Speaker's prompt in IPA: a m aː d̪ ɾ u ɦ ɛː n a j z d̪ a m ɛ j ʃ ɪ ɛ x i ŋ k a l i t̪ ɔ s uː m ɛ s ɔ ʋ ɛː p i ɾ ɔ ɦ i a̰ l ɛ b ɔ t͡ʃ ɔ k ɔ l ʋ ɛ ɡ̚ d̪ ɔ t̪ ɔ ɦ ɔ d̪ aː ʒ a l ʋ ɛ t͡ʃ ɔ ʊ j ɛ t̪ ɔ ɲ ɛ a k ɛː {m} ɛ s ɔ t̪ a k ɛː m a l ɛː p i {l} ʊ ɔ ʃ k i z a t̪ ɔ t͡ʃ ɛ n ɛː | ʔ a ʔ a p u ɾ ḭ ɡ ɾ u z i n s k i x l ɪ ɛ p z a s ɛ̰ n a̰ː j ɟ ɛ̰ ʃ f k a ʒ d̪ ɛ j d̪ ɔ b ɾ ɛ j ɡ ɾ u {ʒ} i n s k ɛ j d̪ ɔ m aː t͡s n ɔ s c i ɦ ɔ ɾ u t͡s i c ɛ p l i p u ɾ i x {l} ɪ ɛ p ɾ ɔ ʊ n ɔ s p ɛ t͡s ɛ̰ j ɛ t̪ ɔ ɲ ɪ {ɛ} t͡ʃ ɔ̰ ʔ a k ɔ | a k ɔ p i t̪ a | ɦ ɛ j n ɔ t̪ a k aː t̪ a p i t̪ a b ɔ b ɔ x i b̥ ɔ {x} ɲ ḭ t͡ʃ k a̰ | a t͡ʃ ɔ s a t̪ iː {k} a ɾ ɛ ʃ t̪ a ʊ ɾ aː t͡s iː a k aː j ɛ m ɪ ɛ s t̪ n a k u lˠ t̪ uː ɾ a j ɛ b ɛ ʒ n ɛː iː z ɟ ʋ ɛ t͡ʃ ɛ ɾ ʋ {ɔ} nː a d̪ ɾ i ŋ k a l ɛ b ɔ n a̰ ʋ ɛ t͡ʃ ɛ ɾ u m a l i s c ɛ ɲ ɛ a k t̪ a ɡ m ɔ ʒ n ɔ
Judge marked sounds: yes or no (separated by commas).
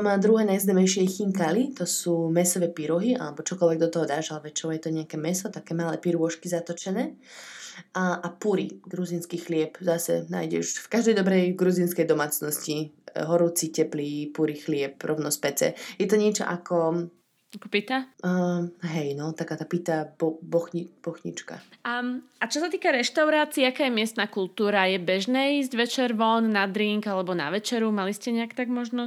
yes, no, no, yes, yes, yes, yes, yes